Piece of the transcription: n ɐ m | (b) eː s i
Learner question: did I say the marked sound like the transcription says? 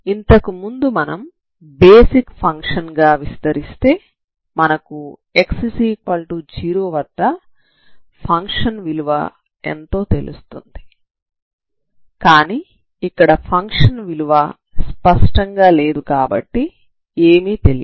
yes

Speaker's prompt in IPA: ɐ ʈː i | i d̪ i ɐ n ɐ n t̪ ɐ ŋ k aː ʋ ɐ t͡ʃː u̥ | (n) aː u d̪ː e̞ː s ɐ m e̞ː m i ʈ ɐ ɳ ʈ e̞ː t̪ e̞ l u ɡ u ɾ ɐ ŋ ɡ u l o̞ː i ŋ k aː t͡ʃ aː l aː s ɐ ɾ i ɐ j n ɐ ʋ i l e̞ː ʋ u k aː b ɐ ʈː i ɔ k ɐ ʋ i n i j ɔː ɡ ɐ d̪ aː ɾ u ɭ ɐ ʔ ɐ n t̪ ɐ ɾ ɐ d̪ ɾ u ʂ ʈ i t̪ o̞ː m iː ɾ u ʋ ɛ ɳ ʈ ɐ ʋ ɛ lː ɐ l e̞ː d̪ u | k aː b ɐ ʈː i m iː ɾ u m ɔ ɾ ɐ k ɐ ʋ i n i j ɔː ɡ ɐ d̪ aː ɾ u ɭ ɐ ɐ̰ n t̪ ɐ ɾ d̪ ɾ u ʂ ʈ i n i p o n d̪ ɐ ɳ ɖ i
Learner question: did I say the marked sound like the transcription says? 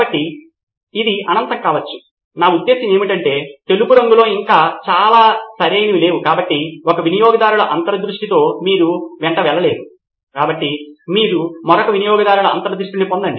yes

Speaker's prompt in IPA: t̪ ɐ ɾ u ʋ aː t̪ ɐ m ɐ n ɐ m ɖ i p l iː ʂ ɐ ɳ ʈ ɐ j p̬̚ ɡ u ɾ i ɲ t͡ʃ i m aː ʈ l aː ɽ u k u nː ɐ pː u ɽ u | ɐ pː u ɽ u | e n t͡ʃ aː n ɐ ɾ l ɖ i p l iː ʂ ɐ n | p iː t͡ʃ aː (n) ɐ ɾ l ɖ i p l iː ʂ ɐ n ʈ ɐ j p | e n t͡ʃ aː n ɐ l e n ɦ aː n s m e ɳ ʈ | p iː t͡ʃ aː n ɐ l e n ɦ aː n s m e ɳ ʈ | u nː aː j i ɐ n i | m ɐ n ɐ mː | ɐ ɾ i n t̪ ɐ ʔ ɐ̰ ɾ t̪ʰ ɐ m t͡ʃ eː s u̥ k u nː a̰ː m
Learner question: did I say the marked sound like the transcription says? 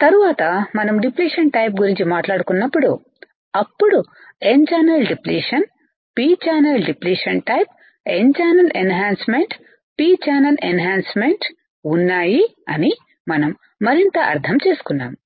yes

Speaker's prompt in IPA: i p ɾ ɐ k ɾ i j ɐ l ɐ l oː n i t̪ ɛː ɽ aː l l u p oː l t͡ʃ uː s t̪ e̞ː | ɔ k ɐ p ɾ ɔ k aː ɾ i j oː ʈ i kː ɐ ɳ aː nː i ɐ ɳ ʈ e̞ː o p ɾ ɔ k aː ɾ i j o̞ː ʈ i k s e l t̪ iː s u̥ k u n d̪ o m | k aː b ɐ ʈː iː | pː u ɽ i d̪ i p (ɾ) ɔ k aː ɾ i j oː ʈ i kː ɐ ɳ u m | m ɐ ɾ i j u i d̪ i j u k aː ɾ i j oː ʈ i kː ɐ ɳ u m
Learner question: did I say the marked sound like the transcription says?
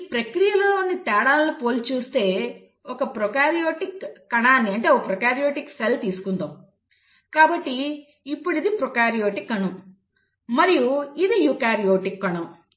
yes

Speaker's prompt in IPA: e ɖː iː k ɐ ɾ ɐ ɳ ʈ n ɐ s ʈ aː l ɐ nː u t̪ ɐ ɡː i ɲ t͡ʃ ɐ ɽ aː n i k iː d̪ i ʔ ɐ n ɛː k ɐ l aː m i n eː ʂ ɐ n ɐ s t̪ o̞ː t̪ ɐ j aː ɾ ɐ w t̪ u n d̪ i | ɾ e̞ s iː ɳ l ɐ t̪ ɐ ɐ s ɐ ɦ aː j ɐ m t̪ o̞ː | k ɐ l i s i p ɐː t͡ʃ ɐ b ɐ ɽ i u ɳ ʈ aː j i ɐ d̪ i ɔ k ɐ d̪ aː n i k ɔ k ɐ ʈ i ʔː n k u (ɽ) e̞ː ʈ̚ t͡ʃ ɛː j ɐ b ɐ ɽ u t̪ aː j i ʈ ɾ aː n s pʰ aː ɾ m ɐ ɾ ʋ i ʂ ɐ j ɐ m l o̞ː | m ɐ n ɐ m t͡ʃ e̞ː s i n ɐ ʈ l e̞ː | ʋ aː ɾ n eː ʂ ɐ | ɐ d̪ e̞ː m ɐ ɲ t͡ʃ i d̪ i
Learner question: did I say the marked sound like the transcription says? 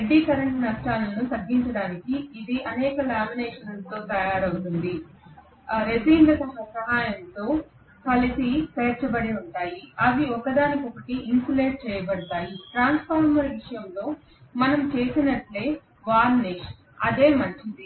no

